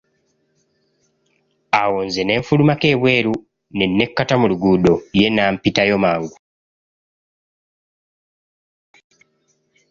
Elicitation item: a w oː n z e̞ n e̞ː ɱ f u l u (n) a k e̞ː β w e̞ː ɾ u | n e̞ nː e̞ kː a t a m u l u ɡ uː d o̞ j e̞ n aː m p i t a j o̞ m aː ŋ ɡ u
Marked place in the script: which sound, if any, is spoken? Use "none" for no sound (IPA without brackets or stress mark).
m